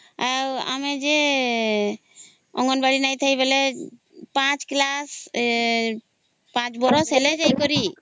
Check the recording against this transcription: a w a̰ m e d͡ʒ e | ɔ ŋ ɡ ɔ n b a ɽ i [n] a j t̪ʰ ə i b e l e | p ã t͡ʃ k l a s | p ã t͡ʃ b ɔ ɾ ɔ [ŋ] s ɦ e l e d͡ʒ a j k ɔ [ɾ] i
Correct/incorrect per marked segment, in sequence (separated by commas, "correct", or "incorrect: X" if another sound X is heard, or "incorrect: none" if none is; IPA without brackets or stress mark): correct, incorrect: none, correct